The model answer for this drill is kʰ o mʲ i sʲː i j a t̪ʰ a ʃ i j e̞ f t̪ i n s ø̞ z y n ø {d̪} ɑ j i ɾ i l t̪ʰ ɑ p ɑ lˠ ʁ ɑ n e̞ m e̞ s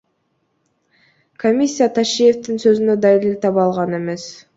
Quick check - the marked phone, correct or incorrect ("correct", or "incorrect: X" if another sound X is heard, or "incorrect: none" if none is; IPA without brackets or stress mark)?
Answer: correct